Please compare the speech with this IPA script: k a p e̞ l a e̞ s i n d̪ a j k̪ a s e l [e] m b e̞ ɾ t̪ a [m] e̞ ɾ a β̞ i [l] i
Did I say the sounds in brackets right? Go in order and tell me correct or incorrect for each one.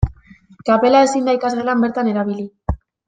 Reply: incorrect, incorrect, correct

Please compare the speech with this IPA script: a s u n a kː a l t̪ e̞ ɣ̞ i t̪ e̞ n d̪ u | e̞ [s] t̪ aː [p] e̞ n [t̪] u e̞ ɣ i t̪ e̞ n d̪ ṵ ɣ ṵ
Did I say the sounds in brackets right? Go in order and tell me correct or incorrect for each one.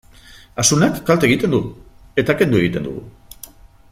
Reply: incorrect, incorrect, incorrect

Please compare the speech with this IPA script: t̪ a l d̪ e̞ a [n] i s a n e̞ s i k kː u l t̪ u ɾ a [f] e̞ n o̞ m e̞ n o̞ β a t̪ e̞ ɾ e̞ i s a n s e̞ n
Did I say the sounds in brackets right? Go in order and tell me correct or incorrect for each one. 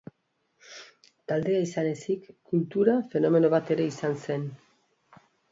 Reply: incorrect, correct

